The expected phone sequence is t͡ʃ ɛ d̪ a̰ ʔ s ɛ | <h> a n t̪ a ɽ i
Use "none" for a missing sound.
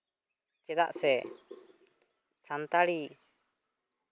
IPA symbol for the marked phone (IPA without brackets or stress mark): s